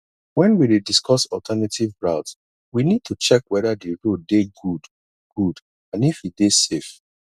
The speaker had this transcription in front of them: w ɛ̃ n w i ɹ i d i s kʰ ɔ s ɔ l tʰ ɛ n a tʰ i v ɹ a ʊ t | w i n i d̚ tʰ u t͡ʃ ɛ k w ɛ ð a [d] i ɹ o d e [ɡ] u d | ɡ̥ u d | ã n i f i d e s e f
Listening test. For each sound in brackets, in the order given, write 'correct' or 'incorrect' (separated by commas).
correct, correct